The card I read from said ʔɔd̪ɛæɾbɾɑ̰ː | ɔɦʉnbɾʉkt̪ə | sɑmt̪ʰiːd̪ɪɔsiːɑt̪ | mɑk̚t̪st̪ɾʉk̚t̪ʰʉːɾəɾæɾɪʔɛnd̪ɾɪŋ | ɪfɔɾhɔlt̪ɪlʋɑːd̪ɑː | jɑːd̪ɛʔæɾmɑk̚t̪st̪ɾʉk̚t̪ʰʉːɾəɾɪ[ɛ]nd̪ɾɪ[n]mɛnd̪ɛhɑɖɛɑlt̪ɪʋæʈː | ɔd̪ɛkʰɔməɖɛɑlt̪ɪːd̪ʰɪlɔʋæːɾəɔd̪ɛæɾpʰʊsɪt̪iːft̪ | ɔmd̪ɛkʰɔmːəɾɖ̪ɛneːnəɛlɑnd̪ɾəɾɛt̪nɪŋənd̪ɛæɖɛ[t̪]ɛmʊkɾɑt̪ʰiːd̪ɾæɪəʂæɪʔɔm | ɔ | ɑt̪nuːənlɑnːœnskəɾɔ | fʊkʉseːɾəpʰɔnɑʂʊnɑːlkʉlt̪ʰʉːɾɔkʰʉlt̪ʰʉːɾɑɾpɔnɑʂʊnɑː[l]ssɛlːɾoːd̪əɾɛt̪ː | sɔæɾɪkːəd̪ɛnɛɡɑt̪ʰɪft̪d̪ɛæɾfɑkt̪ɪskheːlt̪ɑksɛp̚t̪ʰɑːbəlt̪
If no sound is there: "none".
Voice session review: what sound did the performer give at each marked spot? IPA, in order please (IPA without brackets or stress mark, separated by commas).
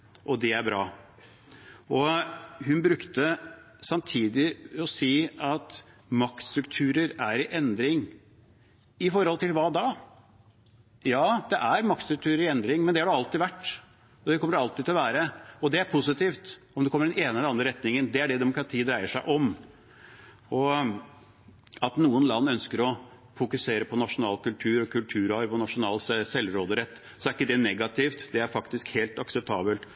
ɛ, ŋ, d̪, l